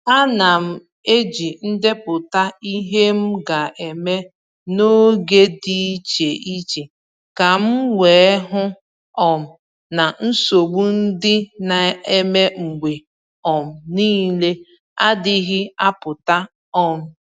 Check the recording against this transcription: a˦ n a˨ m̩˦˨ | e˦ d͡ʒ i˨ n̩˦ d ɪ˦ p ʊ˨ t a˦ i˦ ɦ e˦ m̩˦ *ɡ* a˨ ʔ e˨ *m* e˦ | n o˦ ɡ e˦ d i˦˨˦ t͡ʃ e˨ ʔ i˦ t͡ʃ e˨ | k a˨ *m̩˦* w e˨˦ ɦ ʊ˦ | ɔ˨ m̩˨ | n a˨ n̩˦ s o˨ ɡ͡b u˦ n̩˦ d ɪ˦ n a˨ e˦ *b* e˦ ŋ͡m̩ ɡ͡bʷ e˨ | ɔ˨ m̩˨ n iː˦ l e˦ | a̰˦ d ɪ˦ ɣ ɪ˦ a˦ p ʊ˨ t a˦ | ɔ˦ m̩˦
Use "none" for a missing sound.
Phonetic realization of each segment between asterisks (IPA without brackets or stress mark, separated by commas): ɡ, m, m̩˦, m